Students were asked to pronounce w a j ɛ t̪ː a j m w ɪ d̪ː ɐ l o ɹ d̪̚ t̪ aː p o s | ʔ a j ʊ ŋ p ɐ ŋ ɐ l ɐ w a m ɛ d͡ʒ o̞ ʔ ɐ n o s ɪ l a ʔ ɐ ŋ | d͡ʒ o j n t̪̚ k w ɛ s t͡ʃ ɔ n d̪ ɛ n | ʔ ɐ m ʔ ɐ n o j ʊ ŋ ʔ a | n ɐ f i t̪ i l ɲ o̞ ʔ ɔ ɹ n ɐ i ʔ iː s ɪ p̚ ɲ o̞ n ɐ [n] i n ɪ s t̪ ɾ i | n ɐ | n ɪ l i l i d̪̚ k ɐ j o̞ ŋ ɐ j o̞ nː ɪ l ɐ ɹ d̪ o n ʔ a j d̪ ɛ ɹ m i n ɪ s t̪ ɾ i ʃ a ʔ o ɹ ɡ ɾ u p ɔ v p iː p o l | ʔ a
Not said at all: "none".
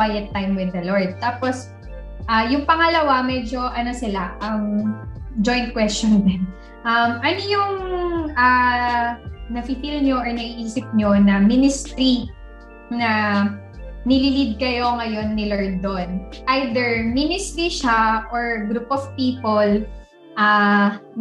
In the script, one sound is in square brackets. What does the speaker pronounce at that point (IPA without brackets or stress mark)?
m